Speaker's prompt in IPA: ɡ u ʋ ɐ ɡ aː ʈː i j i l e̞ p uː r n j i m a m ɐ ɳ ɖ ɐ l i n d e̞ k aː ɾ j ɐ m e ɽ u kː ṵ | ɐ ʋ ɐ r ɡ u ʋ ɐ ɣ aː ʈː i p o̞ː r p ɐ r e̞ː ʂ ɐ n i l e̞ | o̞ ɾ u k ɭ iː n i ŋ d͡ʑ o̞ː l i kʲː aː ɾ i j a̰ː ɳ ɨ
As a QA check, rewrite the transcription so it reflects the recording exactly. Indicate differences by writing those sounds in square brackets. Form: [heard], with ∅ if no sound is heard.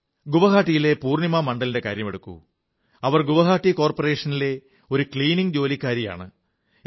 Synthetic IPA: ɡ u ʋ ɐ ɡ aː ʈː i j i l e̞ p uː r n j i m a m ɐ ɳ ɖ ɐ l i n d e̞ k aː ɾ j ɐ m e ɽ u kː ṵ | ɐ ʋ ɐ r ɡ u ʋ ɐ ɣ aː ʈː i [k] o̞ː r p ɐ r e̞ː ʂ ɐ n i l e̞ | o̞ ɾ u k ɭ iː n i ŋ d͡ʑ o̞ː l i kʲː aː ɾ i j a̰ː ɳ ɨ